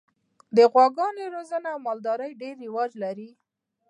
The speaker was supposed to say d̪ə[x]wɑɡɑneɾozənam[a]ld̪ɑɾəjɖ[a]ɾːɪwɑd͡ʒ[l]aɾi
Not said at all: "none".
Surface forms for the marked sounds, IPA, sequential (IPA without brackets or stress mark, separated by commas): ɣ, ɑ, e, l